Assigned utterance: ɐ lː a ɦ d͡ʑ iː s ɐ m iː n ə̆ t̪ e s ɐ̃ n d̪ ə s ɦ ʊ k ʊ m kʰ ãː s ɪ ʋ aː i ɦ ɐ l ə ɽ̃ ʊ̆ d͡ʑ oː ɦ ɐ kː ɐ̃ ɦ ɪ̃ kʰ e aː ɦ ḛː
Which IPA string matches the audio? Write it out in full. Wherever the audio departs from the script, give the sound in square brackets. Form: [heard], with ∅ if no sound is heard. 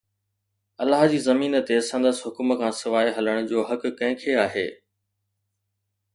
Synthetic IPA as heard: ɐ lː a ɦ d͡ʑ iː [z] ɐ m iː n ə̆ t̪ e s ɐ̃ n d̪ ə s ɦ ʊ k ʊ m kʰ ãː s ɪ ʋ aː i ɦ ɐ l ə ɽ̃ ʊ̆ d͡ʑ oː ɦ ɐ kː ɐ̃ ɦ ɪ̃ kʰ e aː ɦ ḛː